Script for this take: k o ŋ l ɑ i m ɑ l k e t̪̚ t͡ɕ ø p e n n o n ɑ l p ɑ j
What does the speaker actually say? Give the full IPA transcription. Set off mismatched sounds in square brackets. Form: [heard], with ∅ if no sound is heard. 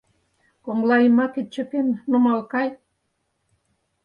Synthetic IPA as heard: k o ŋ l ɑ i m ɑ [∅] k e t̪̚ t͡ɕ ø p e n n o [m] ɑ l [k] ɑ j